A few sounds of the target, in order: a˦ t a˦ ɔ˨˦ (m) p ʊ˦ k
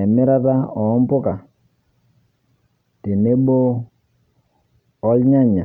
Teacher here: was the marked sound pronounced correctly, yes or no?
yes